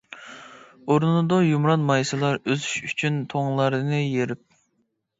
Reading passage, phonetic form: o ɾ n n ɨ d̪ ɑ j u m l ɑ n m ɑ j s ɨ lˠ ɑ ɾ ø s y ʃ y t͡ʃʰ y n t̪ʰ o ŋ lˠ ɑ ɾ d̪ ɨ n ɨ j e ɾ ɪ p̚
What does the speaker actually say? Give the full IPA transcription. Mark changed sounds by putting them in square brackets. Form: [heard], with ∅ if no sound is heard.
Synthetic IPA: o ɾ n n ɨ d̪ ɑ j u m [ɾ] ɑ n m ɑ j s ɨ lˠ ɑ ɾ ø [z] y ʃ y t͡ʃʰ y n t̪ʰ o ŋ lˠ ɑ ɾ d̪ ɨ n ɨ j e ɾ ɪ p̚